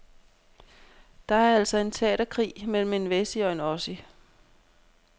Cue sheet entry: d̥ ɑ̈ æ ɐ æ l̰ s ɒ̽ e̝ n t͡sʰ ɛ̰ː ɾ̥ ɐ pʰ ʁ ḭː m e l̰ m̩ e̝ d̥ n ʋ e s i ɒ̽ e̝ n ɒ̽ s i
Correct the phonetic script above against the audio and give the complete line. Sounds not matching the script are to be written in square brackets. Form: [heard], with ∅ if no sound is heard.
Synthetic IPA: d̥ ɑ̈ æ ɐ æ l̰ s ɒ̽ e̝ n t͡sʰ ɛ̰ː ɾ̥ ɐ [kʰ] ʁ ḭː m e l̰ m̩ e̝ [∅] n ʋ e s i ɒ̽ e̝ n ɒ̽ s i